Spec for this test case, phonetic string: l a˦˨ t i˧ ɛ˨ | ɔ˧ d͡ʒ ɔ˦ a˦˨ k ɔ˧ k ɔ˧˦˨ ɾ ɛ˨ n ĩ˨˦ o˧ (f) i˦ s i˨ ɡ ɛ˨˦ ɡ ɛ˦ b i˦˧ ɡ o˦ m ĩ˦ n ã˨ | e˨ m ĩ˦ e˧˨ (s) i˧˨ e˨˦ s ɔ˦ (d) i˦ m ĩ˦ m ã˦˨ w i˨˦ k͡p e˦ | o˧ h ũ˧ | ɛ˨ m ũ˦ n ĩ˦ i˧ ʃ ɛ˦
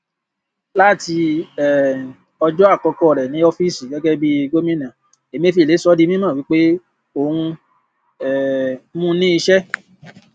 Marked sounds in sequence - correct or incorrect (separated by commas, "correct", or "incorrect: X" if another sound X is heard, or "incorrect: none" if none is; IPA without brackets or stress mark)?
correct, incorrect: f, correct